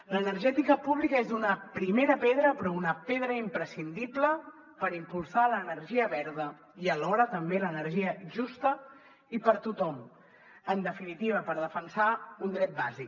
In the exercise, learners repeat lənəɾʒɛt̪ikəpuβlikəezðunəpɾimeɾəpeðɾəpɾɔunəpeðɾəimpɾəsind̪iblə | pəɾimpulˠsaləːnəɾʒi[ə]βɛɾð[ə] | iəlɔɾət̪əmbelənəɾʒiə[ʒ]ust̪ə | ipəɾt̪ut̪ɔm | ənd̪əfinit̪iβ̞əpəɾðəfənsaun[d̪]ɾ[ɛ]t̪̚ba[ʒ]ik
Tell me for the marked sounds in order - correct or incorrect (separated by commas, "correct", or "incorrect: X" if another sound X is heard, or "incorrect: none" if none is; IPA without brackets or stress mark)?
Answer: correct, correct, correct, correct, correct, incorrect: z